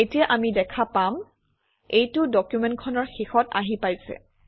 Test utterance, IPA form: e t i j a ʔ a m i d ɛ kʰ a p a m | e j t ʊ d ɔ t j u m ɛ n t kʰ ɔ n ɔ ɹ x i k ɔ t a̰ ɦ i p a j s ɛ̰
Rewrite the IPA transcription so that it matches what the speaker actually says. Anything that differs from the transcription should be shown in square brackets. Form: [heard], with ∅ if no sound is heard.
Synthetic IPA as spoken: e t i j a ʔ a m i d ɛ kʰ a p a m | e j t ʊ d ɔ [k] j u m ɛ n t kʰ ɔ n ɔ ɹ x i [x] ɔ t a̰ ɦ i p a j s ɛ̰

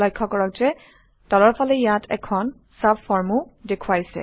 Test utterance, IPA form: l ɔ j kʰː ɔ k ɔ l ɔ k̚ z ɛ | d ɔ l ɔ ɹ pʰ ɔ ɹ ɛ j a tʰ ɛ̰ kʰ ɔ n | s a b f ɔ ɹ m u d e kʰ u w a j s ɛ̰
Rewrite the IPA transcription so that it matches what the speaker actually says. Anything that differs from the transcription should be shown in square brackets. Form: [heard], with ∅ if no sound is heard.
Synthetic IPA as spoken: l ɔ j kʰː ɔ k ɔ [ɹ] ɔ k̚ z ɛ | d ɔ l ɔ ɹ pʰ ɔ [l] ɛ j a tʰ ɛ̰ kʰ ɔ n | s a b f ɔ ɹ m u d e kʰ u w a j s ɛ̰

